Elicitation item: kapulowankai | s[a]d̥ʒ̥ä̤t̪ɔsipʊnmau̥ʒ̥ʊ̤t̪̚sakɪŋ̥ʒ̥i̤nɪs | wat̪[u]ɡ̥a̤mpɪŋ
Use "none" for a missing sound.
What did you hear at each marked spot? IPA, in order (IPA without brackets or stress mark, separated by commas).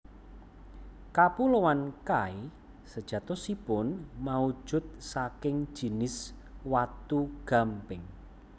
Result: ə, u